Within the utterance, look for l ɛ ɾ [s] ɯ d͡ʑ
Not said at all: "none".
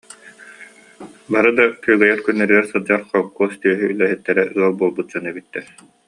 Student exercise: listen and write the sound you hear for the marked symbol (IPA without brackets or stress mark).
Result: s